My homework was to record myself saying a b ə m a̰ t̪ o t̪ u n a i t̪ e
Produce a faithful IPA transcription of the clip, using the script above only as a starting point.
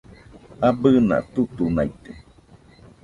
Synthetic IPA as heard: a b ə n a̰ t̪ u t̪ u n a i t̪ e